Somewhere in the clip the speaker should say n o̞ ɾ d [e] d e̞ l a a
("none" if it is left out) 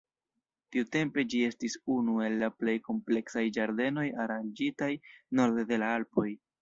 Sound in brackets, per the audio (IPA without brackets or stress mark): e